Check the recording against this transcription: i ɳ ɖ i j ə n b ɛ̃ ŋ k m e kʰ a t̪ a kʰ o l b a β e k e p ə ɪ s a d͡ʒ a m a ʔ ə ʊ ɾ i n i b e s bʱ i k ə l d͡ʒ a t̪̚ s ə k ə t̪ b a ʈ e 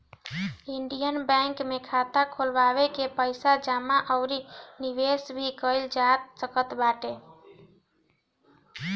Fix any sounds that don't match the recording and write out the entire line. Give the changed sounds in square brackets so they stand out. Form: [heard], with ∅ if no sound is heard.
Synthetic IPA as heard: i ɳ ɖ i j ə n b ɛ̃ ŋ k m e kʰ a t̪ a kʰ o l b a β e k e p ə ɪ s a d͡ʒ a m a ʔ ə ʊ ɾ i n i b e s bʱ i k ə l d͡ʒ a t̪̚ s ə k ə t̪ b a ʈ e

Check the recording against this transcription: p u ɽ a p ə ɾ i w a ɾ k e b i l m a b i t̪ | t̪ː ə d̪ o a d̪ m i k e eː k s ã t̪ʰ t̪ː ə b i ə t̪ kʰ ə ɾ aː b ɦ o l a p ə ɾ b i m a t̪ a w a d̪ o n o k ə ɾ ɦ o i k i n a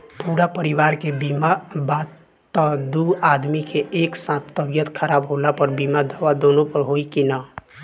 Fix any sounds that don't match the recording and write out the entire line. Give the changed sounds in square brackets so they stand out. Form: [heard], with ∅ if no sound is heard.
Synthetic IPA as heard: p u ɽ a p ə ɾ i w a ɾ k e b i [∅] m a b [a] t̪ | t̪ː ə d̪ [u] a d̪ m i k e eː k s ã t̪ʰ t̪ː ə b [j] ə t̪ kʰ ə ɾ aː b ɦ o l a p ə ɾ b i m a [d̪] a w a d̪ o n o [p] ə ɾ ɦ o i k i n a

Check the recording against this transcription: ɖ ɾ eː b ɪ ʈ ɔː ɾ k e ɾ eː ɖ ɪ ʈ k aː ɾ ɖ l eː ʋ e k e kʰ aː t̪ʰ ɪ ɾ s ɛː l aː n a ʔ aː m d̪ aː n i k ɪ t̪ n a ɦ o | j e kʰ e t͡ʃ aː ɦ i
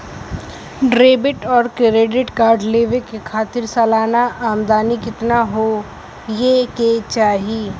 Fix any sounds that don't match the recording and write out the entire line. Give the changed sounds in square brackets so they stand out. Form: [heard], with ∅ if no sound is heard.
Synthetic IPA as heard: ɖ ɾ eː b ɪ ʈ ɔː ɾ k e ɾ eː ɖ ɪ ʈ k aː ɾ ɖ l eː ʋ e k e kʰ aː [t̪] ɪ ɾ s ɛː l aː n a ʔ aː m d̪ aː n i k ɪ t̪ n a ɦ o | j e [k] e t͡ʃ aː ɦ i

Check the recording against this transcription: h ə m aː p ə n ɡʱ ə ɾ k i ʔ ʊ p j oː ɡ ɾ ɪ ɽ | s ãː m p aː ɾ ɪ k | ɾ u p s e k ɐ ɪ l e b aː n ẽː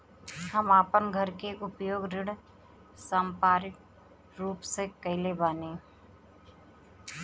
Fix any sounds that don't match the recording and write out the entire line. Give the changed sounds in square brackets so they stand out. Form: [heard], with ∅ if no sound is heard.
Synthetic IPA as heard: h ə m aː p ə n ɡʱ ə ɾ k [e] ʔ ʊ p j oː ɡ ɾ ɪ ɽ | s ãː m p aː ɾ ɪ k | ɾ [uː] p s e k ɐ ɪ l e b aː n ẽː

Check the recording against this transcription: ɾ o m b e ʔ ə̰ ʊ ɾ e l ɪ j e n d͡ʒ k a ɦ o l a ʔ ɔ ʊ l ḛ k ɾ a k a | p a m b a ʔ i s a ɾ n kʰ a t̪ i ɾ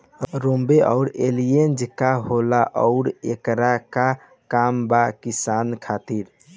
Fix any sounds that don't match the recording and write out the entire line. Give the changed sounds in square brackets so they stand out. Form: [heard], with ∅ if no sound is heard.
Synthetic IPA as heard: ɾ o m b e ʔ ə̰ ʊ ɾ e l [i] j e n d͡ʒ k a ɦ o l a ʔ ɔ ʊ [ɾ] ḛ k ɾ a k a | [k] a m b a [k] i s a [∅] n kʰ a t̪ i ɾ

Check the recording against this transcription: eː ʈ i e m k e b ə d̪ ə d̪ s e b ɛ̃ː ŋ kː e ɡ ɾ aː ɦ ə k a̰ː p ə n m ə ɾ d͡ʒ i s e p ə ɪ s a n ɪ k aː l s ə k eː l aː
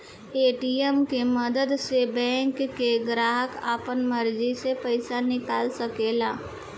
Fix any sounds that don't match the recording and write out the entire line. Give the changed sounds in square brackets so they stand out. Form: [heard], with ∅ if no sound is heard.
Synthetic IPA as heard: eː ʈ i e m k e [m] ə d̪ ə d̪ s e b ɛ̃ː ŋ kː e ɡ ɾ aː ɦ ə k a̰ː p ə n m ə ɾ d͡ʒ i s e p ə ɪ s a n ɪ k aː l s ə k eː l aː

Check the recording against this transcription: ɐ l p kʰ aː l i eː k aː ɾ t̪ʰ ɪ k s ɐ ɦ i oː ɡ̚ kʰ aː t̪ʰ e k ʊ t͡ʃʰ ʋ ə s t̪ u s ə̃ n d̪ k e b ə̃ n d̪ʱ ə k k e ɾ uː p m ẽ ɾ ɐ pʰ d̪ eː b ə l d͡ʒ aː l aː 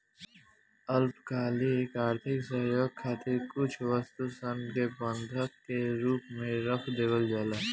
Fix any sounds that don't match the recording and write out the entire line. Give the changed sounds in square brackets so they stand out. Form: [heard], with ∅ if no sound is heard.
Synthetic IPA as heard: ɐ l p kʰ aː l i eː k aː ɾ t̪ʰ ɪ k s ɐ ɦ [j] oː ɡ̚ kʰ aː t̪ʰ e k ʊ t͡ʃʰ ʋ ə s t̪ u s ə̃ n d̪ k e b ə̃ n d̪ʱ ə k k e ɾ uː p m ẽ ɾ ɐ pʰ d̪ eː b ə l d͡ʒ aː l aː

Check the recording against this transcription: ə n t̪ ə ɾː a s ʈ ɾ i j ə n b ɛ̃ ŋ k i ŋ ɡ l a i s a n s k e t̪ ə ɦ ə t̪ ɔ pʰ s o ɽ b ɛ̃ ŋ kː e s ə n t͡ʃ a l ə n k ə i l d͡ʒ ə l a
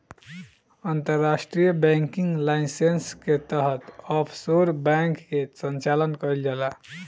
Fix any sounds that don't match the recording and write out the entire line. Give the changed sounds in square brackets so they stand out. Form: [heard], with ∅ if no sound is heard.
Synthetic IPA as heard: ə n t̪ ə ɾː a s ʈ ɾ i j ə [∅] b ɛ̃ ŋ k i ŋ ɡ l a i s [e] n s k e t̪ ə ɦ ə t̪ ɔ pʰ s o [ɾ] b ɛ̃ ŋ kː e s ə n t͡ʃ a l ə n k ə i l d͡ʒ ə l a

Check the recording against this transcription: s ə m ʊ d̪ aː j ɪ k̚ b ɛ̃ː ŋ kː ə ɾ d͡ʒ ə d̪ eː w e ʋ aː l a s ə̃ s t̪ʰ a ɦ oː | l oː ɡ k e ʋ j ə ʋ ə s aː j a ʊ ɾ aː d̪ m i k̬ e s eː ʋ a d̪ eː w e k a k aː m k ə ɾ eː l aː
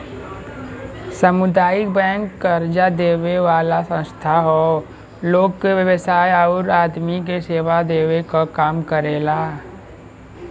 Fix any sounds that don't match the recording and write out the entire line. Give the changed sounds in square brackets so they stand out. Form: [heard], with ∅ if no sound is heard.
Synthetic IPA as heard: s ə m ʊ d̪ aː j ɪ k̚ b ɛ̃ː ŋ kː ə ɾ d͡ʒ [a] d̪ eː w e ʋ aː l a s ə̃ s t̪ʰ a ɦ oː | l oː ɡ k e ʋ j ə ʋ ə s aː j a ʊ ɾ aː d̪ m i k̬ e s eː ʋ a d̪ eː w e k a k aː m k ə ɾ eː l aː

